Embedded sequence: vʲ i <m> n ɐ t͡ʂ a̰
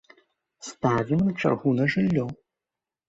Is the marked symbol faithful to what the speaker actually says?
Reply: yes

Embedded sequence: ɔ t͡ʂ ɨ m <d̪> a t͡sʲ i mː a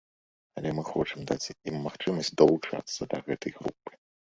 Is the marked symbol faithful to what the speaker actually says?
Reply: yes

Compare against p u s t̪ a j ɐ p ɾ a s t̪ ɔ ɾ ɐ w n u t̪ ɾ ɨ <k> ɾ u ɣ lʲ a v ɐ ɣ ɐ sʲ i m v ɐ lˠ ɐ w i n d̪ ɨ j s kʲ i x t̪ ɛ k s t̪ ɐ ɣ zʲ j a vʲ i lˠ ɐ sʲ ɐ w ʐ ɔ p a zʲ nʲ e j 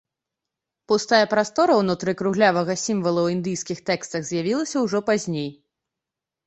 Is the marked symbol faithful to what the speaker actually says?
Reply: yes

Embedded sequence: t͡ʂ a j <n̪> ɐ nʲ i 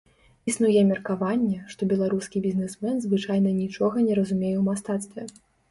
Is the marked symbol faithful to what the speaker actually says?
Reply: yes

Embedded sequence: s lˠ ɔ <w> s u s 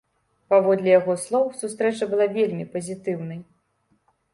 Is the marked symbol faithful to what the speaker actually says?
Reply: yes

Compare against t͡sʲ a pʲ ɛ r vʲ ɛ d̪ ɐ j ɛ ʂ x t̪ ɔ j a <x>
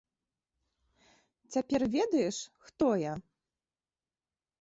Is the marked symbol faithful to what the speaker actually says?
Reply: no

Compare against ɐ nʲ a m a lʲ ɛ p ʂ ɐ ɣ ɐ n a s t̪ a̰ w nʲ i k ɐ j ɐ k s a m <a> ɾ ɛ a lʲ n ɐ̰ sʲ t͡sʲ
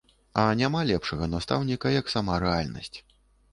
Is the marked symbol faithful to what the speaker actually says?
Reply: yes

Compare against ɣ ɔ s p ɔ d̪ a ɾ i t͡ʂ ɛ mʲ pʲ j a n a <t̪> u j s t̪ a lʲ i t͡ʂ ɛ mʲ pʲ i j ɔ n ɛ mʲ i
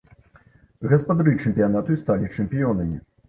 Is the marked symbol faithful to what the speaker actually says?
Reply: yes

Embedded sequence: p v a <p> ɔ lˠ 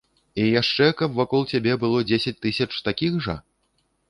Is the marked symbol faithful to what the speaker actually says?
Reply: no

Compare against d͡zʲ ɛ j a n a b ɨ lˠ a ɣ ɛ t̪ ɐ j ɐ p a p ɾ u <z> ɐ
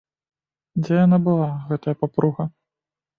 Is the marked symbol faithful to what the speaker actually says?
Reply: no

